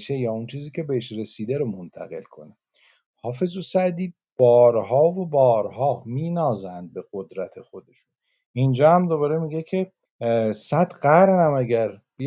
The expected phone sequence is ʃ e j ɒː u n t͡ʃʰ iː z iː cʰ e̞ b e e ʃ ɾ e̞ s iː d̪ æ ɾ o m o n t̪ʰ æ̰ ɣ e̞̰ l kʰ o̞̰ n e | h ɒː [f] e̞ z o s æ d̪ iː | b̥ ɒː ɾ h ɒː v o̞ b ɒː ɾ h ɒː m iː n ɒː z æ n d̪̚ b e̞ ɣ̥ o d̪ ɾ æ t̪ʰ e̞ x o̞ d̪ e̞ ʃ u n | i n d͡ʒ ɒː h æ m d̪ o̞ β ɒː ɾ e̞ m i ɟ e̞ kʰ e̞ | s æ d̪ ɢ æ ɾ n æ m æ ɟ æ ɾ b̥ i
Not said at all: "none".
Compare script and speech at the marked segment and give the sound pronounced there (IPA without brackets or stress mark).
f